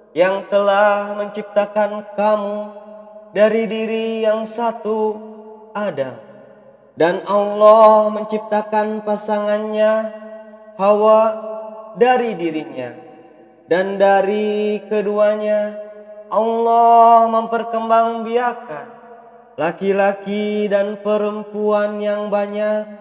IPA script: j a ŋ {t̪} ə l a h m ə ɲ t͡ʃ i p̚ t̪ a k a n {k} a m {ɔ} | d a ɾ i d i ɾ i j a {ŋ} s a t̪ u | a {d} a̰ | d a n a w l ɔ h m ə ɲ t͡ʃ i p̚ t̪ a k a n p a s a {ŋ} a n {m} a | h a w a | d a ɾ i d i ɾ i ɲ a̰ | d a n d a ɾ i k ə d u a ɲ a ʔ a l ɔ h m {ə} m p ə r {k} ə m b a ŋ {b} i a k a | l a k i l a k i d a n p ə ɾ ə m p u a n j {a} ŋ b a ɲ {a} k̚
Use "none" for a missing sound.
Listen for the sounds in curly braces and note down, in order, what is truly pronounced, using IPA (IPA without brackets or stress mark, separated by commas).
t̪, k, u, ŋ, d, ŋ, ɲ, ə, k, b, a, a